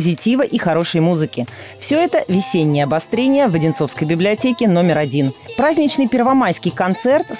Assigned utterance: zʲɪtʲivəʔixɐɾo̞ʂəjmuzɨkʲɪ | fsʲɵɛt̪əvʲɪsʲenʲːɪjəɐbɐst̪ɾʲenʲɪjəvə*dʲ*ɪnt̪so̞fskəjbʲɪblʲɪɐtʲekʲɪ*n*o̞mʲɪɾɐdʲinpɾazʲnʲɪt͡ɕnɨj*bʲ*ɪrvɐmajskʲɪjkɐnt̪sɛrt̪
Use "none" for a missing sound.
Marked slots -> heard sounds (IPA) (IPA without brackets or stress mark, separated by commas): dʲ, n, pʲ